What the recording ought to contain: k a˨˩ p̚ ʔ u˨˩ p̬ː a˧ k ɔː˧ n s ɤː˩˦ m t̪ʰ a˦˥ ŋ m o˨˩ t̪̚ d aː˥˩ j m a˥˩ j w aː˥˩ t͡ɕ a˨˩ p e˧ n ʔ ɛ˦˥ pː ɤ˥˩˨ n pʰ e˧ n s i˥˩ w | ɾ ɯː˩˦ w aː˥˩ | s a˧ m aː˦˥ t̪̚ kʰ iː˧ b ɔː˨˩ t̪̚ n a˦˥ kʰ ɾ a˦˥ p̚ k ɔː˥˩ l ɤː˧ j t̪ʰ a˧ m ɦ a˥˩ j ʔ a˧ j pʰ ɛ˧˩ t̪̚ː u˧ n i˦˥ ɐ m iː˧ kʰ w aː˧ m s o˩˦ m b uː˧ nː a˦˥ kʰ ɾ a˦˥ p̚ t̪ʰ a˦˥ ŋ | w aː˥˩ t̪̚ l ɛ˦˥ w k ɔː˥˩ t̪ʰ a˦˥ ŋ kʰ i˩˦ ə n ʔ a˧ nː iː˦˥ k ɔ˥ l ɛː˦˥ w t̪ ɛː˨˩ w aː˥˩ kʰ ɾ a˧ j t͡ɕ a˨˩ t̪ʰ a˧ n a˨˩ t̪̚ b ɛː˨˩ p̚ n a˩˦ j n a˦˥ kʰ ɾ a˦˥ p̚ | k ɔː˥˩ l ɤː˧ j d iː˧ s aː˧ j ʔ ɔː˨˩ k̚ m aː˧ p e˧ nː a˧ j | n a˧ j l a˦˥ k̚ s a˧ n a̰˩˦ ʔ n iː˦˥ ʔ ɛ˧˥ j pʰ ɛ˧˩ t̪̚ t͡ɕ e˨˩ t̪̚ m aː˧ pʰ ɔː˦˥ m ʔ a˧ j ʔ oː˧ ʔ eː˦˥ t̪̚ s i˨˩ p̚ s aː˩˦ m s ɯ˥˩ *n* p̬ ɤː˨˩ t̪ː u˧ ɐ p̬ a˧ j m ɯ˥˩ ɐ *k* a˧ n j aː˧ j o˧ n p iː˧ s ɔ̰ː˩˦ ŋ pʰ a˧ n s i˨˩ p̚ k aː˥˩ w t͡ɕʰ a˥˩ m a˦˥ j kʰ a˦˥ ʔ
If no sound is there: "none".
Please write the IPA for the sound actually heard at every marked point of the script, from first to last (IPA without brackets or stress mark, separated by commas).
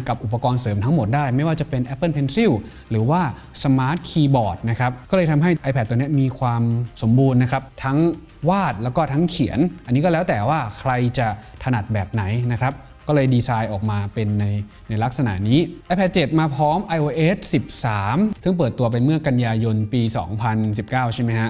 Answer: ŋ, k